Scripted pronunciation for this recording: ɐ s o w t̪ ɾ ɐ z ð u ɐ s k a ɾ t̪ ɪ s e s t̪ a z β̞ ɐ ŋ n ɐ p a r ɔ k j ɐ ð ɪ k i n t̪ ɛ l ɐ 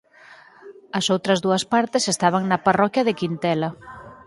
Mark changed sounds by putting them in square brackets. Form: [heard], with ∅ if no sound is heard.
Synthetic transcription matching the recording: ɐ s o w t̪ ɾ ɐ z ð u ɐ s [p] a ɾ t̪ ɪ s e s t̪ a [∅] β̞ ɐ ŋ n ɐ p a r ɔ k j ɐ ð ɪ k i n t̪ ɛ l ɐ